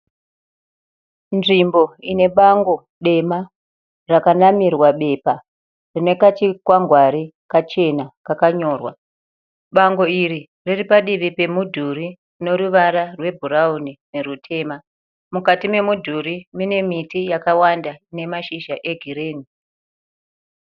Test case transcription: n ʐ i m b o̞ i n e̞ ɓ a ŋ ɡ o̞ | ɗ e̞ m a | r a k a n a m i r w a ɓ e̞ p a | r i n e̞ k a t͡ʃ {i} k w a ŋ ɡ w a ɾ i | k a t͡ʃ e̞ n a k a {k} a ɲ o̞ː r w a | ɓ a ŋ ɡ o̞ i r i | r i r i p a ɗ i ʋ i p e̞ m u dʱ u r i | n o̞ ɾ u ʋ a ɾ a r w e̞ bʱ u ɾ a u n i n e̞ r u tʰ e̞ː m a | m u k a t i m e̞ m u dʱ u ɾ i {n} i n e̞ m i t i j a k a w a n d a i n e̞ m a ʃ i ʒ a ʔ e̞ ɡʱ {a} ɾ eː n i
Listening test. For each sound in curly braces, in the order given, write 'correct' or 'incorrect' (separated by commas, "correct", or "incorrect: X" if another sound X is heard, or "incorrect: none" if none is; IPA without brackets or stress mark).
correct, correct, incorrect: m, incorrect: i